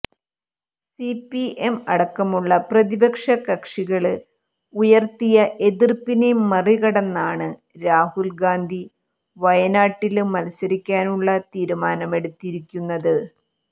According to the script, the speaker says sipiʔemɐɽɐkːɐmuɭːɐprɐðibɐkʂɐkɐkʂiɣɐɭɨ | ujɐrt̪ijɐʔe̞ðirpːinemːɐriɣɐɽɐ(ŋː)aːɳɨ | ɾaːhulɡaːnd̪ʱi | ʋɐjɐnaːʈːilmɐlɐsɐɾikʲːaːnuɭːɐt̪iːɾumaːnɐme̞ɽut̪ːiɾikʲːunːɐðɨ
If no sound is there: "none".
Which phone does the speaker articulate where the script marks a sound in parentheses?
nː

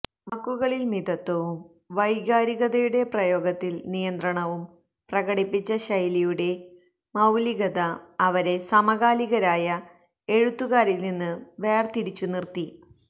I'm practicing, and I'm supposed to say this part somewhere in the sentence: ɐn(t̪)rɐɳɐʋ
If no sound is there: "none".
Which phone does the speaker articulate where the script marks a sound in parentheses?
d̪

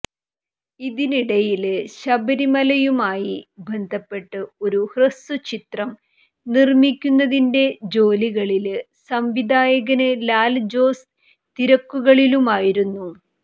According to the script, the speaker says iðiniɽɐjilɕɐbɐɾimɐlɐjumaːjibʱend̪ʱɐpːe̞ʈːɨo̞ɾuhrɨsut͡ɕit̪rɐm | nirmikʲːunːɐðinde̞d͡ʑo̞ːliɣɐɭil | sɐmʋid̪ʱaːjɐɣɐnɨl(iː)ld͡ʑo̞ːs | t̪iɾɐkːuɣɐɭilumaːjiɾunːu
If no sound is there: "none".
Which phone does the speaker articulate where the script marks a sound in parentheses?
aː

